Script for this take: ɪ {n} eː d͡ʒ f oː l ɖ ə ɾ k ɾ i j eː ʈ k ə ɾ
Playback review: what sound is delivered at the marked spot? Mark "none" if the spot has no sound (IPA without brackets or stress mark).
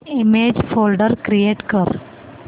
m